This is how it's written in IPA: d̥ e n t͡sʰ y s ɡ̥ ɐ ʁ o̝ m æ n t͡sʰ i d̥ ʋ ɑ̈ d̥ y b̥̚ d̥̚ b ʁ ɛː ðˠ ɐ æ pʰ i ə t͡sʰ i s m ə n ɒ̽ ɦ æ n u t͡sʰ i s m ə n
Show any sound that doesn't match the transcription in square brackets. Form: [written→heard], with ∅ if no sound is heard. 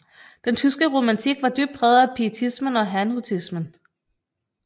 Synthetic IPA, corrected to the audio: d̥ e n t͡sʰ y s ɡ̥ [ɐ→ə] ʁ o̝ m æ n t͡sʰ i [d̥→ɡ̥] ʋ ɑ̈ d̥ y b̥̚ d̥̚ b ʁ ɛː ðˠ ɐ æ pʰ i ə t͡sʰ i s m ə n ɒ̽ ɦ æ n u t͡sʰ i s m ə n

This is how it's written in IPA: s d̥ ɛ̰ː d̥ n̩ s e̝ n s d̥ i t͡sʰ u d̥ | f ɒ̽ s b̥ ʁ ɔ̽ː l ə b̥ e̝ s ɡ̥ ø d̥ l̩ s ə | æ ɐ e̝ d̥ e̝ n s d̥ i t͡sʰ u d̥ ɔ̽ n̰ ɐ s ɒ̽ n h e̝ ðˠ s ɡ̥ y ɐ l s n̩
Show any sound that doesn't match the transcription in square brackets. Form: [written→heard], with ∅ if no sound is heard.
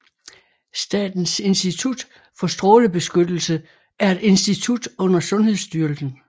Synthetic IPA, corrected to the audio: s d̥ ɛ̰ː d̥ n̩ s e̝ n s d̥ i t͡sʰ u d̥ | f ɒ̽ s [b̥→d̥] ʁ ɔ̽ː l ə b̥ e̝ s ɡ̥ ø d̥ l̩ s ə | æ ɐ e̝ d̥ e̝ n s d̥ i t͡sʰ u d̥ ɔ̽ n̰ ɐ s [ɒ̽→ɔ̽] n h e̝ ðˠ s [ɡ̥→d̥] y ɐ l s n̩

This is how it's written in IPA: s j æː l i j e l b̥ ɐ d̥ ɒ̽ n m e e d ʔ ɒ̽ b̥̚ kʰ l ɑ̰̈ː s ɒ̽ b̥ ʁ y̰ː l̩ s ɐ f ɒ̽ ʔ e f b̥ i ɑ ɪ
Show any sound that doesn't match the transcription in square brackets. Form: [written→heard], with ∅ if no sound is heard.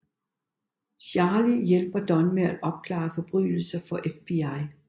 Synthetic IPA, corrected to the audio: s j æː l i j e l b̥ ɐ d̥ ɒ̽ n m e [e→æ] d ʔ ɒ̽ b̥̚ kʰ l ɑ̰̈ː [s→f] ɒ̽ b̥ ʁ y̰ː l̩ s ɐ f ɒ̽ ʔ e f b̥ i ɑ ɪ

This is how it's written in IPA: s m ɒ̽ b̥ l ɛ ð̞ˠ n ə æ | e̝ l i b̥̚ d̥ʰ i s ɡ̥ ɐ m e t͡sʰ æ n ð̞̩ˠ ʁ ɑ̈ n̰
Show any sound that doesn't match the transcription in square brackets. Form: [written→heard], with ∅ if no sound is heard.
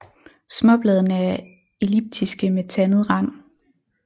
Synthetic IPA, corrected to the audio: s m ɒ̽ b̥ l ɛ ð̞ˠ n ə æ | e̝ l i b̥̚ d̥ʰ i s ɡ̥ [ɐ→ə] m e t͡sʰ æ n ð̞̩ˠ ʁ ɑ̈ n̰

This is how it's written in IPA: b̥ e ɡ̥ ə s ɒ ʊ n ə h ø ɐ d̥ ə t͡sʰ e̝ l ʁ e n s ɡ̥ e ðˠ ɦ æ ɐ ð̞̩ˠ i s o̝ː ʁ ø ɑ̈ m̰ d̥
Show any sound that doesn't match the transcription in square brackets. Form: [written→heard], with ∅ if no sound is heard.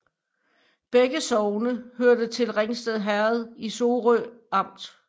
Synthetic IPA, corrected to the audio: b̥ e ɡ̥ ə s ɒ ʊ n ə h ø ɐ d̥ ə t͡sʰ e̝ l ʁ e [n→ŋ] s [ɡ̥→d̥] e ðˠ ɦ æ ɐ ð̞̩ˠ i s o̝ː ʁ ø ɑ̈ m̰ d̥

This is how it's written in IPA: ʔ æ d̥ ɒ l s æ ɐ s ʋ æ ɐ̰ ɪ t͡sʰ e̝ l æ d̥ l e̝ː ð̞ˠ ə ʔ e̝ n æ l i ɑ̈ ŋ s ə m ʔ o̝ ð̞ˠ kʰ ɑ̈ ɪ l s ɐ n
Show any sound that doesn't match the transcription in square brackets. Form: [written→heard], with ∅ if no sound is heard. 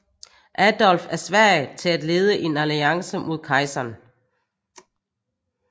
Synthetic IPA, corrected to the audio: ʔ æ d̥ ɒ l [s→f] æ ɐ s ʋ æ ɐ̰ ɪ t͡sʰ e̝ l æ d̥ l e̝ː ð̞ˠ ə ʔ e̝ n æ l i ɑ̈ ŋ s ə m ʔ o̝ ð̞ˠ kʰ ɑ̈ ɪ [l→∅] s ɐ n

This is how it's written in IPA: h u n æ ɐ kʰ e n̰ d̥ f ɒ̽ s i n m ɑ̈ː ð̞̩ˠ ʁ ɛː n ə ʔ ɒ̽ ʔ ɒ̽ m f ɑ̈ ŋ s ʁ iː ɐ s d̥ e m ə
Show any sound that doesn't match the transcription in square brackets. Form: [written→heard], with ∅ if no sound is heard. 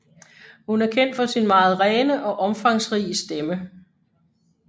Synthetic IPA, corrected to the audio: h u n æ ɐ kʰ e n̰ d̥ f ɒ̽ s i n m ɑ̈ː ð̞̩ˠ ʁ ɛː n ə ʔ ɒ̽ ʔ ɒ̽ m f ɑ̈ ŋ s ʁ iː [ɐ→ə] s d̥ e m ə

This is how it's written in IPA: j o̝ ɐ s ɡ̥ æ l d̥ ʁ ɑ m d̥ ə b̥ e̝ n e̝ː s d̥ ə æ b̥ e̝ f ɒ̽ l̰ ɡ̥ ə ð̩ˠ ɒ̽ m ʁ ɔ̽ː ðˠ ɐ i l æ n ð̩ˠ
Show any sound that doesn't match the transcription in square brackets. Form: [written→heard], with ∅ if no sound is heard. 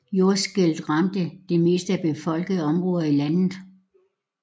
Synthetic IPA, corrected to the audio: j o̝ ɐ s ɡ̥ [æ→e] l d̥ ʁ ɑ m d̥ ə [b̥→d̥] e̝ [n→m] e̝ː s d̥ ə æ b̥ e̝ f ɒ̽ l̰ ɡ̥ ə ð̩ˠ ɒ̽ m ʁ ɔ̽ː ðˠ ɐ i l æ n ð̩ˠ

